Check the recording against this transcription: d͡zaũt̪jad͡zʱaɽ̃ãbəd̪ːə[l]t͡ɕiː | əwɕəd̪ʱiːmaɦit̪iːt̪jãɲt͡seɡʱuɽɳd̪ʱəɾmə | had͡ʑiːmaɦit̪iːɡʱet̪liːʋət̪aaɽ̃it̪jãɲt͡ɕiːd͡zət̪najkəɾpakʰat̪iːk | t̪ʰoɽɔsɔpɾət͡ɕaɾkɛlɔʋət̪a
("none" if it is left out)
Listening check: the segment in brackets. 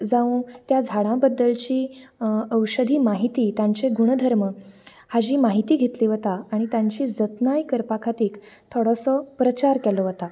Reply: l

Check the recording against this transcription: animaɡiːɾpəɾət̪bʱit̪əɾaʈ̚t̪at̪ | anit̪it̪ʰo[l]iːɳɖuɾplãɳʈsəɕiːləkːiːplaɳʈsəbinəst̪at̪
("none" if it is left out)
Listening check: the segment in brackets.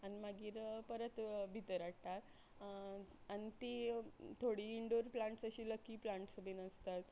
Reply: ɽ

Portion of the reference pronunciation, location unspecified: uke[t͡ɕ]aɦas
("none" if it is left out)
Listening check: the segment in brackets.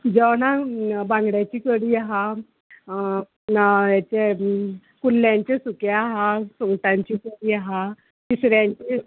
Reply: none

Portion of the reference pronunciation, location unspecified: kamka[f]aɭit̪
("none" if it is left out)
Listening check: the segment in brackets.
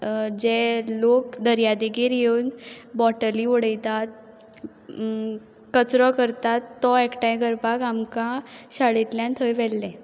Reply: ɕ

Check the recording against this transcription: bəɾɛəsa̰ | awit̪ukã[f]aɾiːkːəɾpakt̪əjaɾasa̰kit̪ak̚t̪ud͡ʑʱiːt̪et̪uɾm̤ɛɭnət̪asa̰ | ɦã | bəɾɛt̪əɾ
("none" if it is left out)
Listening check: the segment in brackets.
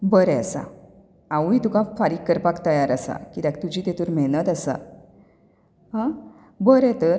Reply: f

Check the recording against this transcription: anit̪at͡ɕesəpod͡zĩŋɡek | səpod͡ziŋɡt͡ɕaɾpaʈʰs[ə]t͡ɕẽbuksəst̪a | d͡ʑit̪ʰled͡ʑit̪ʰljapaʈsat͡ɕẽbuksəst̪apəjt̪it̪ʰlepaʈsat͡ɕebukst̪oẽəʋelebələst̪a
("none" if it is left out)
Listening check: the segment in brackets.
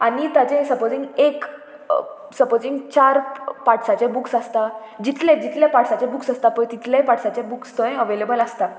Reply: a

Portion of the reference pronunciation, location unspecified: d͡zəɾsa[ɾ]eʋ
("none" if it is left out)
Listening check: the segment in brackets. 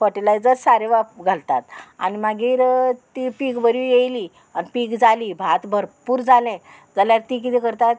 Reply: ɾ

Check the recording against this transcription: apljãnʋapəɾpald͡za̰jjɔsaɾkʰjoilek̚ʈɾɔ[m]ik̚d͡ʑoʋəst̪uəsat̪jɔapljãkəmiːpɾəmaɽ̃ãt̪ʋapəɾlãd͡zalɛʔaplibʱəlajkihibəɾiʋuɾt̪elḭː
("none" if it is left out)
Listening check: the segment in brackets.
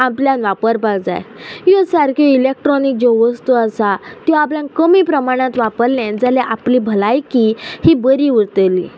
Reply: n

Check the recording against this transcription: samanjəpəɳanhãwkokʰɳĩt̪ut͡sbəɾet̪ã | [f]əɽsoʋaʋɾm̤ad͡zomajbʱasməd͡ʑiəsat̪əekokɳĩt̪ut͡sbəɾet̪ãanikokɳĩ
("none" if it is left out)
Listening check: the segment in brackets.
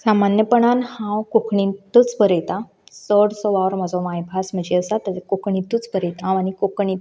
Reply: s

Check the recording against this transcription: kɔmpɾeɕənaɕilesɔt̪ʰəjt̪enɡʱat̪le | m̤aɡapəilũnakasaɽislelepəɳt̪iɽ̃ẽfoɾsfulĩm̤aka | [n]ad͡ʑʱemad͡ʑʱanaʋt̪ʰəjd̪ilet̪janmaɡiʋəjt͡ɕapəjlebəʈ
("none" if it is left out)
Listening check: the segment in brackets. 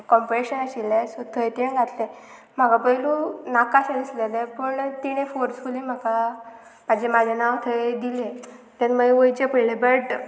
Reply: m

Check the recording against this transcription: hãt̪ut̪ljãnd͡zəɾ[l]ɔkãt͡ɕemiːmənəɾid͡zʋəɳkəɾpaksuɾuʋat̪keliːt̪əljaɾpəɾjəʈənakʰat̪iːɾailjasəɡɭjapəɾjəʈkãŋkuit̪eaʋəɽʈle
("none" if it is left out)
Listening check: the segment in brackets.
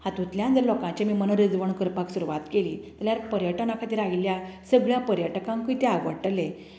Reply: l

